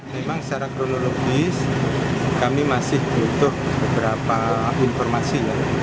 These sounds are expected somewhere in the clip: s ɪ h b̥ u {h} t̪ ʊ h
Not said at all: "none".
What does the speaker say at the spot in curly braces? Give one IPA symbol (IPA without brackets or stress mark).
none